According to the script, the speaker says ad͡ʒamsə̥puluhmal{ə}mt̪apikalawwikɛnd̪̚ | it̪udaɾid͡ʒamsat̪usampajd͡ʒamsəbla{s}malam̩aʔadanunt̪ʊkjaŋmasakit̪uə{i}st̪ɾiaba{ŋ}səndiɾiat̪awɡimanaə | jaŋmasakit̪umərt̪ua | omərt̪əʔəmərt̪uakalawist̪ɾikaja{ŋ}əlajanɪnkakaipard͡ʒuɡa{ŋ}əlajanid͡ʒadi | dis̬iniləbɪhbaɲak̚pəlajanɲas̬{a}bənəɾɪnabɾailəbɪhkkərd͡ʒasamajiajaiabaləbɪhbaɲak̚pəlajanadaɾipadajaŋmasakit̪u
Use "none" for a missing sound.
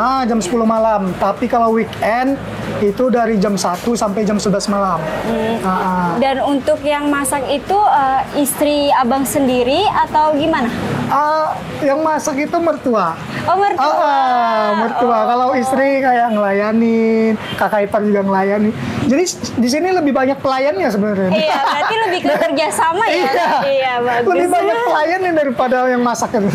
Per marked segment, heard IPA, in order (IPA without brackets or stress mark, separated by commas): a, s, i, ŋ, ŋ, ŋ, ə